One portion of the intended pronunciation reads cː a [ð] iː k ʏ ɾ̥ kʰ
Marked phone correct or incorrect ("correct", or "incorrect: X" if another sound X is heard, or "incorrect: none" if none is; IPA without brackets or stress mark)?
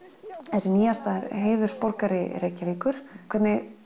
incorrect: v